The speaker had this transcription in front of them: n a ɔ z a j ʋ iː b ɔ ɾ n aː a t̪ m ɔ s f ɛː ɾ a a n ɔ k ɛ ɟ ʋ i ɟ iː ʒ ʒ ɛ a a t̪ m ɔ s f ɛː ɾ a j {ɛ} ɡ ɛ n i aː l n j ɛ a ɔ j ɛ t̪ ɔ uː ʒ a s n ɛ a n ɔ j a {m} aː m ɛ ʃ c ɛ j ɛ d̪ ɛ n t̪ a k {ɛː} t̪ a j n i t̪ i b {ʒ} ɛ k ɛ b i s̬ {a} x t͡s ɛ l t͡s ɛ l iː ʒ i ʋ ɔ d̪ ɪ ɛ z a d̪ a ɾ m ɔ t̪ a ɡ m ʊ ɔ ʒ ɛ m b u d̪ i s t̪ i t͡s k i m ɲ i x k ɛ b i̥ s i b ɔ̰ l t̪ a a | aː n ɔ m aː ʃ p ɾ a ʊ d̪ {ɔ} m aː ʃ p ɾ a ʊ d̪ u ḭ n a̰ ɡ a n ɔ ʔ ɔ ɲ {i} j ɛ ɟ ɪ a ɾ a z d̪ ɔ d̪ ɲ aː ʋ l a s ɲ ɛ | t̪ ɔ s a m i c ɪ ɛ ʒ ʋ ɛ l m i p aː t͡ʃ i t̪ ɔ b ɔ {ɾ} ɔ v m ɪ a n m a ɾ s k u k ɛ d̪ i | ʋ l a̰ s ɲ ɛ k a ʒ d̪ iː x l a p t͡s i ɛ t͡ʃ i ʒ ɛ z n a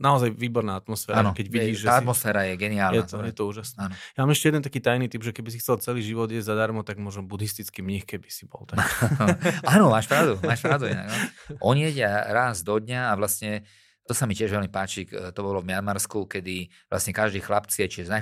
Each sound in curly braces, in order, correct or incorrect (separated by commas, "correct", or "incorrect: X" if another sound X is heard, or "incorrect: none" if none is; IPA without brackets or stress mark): correct, correct, incorrect: iː, correct, incorrect: i, incorrect: u, correct, incorrect: l